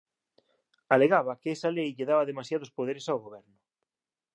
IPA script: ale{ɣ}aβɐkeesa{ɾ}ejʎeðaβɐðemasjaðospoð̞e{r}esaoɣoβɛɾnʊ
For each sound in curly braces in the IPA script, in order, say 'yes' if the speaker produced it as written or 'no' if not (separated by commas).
yes, no, no